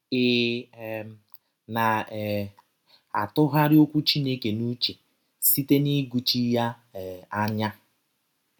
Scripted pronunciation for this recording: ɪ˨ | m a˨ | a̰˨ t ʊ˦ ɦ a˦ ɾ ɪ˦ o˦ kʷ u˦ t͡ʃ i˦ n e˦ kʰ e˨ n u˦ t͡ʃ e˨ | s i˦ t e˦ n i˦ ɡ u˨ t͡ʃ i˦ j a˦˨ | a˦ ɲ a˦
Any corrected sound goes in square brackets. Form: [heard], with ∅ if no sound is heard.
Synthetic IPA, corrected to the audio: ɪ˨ | [n] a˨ | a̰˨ t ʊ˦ ɦ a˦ ɾ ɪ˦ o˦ kʷ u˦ t͡ʃ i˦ n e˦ [k] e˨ n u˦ t͡ʃ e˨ | s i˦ t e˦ n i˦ ɡ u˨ t͡ʃ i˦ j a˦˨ | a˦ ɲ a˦